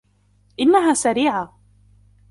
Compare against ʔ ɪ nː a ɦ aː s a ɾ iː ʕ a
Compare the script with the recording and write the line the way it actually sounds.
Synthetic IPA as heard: ʔ ɪ nː a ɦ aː s a ɾ iː ʕ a